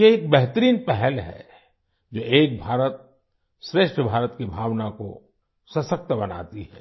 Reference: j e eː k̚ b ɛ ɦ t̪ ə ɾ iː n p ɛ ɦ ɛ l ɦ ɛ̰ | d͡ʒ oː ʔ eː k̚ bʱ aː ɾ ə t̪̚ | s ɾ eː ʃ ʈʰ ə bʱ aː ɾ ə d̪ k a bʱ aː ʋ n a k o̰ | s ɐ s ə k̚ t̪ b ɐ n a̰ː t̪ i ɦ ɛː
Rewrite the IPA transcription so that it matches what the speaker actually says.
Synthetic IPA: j e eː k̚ b ɛ ɦ t̪ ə ɾ iː n p ɛ ɦ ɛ l ɦ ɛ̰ | d͡ʒ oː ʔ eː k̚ bʱ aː ɾ ə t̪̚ | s ɾ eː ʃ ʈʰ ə bʱ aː ɾ ə t̪ k i bʱ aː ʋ n a k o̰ | s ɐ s ə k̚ t̪ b ɐ n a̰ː t̪ i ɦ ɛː